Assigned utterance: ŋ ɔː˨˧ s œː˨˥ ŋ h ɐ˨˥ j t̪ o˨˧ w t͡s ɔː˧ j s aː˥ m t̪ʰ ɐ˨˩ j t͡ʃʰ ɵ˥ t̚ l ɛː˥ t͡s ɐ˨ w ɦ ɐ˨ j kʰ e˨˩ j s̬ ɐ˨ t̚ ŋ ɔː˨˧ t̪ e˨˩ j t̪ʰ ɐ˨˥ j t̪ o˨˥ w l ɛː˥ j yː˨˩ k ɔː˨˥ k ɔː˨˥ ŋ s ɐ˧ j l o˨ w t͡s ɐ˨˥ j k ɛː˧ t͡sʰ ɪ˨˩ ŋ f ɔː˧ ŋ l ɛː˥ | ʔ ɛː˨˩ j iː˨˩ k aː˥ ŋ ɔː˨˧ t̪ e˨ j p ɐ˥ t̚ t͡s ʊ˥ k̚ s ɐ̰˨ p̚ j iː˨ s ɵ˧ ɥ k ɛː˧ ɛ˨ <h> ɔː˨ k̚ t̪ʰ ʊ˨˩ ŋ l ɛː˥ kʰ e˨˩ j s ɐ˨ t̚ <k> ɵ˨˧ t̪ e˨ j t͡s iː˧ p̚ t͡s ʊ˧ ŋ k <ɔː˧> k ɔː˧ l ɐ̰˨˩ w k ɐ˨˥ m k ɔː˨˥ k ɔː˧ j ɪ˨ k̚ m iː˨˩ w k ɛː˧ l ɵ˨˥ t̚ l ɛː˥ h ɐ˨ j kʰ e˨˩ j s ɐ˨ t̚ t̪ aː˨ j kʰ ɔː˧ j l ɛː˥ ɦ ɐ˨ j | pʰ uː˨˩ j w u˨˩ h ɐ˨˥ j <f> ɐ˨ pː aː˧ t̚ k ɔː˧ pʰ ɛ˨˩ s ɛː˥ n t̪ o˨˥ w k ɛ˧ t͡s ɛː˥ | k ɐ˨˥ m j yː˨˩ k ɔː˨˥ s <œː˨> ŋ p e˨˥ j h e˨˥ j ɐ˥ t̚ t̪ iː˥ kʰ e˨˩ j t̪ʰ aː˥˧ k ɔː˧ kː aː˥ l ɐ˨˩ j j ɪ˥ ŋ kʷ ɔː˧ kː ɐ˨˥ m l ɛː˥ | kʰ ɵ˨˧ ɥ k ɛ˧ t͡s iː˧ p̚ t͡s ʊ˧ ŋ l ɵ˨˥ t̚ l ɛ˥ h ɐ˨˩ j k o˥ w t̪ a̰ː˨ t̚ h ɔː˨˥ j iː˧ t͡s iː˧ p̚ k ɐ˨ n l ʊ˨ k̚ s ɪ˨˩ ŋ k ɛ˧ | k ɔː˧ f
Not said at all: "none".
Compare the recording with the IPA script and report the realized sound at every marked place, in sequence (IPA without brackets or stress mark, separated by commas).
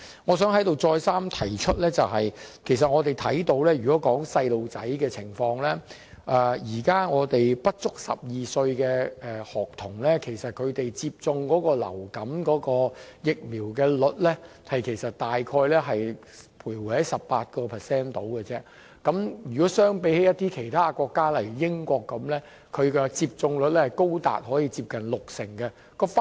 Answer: h, kʰ, ɔː˨˥, s, œː˥